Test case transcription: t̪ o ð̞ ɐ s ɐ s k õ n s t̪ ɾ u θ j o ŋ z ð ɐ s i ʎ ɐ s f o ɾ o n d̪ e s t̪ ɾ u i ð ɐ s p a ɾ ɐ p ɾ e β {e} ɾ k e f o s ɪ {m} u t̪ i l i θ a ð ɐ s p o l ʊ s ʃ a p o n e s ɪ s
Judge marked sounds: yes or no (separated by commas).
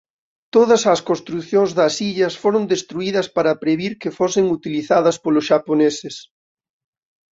no, no